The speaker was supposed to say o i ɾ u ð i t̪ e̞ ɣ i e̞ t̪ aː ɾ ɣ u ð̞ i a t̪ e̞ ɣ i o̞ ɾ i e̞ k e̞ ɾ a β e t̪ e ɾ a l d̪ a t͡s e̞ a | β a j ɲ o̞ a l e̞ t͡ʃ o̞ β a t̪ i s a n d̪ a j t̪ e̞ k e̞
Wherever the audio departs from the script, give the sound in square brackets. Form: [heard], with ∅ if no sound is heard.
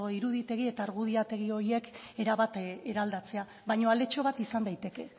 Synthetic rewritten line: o i ɾ u ð i t̪ e̞ ɣ i e̞ t̪ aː ɾ ɣ u ð̞ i a t̪ e̞ ɣ i o̞ ɾ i e̞ k e̞ ɾ a β [a] t̪ e ɾ a l d̪ a t͡s e̞ a | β a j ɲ o̞ a l e̞ t͡ʃ o̞ β a t̪ i s a n d̪ a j t̪ e̞ k e̞